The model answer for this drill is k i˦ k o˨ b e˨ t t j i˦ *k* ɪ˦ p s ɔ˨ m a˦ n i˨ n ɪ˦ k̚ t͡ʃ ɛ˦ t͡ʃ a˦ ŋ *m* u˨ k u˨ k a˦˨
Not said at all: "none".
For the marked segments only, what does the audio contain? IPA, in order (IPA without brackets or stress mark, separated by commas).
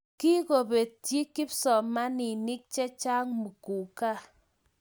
k, m